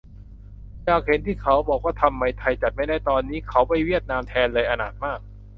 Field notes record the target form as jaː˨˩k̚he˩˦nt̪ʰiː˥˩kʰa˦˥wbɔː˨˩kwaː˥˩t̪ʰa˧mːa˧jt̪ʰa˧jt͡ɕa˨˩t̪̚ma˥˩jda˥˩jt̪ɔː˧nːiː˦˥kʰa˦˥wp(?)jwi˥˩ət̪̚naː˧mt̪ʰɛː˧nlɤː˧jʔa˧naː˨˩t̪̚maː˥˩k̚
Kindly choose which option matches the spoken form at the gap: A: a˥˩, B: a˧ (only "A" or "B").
A